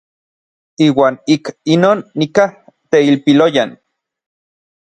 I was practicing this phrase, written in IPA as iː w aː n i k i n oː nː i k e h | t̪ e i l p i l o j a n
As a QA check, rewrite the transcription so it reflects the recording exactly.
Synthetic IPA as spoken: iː w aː n i k i n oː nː i k a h | t̪ e i l p i l o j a n